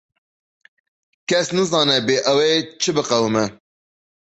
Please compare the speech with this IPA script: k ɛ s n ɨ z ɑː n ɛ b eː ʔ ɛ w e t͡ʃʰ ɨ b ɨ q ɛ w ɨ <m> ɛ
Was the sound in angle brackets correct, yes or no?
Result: yes